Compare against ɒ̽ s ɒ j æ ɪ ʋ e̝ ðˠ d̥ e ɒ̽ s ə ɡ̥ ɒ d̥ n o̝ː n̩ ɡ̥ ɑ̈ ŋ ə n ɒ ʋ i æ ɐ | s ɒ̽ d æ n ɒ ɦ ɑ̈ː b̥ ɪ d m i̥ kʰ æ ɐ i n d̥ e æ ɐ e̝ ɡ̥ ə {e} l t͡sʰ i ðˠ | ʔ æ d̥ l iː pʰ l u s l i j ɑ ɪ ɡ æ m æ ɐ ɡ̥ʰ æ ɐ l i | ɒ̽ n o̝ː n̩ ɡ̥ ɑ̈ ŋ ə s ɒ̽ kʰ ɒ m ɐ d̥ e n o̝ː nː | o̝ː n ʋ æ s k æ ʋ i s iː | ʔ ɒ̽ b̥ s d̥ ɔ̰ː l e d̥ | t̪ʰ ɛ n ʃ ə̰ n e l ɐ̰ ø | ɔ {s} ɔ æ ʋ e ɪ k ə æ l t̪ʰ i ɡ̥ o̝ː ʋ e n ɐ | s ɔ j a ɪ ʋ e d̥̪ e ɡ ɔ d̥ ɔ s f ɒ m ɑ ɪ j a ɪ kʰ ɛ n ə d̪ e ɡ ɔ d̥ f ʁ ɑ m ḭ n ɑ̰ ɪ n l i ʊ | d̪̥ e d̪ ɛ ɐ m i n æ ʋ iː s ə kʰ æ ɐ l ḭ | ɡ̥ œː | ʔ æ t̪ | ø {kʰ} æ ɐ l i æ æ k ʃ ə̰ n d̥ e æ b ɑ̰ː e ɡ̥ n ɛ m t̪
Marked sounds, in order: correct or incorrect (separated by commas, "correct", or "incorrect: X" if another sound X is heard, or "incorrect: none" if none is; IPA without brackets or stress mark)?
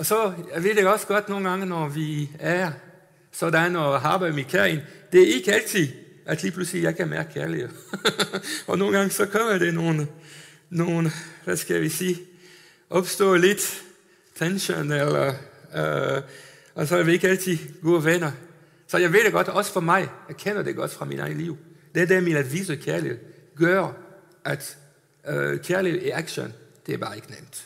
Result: incorrect: æ, correct, correct